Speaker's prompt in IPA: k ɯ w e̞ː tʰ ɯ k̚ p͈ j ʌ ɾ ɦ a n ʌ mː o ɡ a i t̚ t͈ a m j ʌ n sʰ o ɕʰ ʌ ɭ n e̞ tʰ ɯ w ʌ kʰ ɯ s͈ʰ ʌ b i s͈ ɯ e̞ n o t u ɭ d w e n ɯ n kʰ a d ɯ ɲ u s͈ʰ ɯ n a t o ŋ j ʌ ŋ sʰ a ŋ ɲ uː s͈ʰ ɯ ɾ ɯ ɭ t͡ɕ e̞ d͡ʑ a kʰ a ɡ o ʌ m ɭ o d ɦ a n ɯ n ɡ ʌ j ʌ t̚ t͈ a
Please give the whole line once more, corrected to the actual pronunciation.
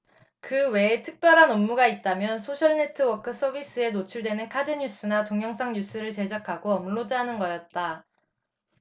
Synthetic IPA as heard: k ɯ w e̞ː tʰ ɯ k̚ p͈ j ʌ ɾ ɦ a n ʌ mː u ɡ a i t̚ t͈ a m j ʌ n sʰ o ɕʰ ʌ ɭ n e̞ tʰ ɯ w ʌ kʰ ɯ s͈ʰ ʌ b i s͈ ɯ e̞ n o t͡ɕʰ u ɭ d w e n ɯ n kʰ a d ɯ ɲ u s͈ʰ ɯ n a t o ŋ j ʌ ŋ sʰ a ŋ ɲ u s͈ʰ ɯ ɾ ɯ ɭ t͡ɕ e̞ d͡ʑ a kʰ a ɡ o ʌ m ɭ o d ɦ a n ɯ n ɡ ʌ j ʌ t̚ t͈ a